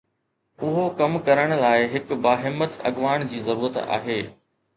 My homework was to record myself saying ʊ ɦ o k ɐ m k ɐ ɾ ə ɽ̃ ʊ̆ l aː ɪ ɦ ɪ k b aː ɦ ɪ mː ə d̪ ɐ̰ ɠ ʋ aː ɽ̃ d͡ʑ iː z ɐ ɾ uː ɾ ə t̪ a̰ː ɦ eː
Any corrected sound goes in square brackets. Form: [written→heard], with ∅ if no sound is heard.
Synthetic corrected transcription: ʊ ɦ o k ɐ m k ɐ ɾ ə ɽ̃ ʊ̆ l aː ɪ ɦ ɪ k b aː ɦ ɪ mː ə [d̪→t̪] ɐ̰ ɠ ʋ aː ɽ̃ d͡ʑ iː z ɐ ɾ uː ɾ ə t̪ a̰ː ɦ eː